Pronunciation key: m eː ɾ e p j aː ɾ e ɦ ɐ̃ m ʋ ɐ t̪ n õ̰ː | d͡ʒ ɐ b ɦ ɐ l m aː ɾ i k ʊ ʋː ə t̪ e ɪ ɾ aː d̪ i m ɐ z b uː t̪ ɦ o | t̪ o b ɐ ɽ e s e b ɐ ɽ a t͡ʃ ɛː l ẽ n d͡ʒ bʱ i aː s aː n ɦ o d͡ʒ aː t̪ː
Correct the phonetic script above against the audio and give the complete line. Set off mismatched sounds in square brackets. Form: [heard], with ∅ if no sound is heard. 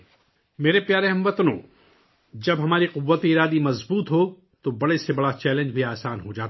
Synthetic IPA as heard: m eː ɾ e p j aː ɾ e ɦ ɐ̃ m ʋ ɐ t̪ n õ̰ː | d͡ʒ ɐ b ɦ ɐ [∅] m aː ɾ i [q] ʊ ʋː ə t̪ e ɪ ɾ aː d̪ i m ɐ z b uː t̪ ɦ o | t̪ o b ɐ ɽ e s e b ɐ ɽ a t͡ʃ ɛː l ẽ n d͡ʒ bʱ i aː s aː n ɦ o d͡ʒ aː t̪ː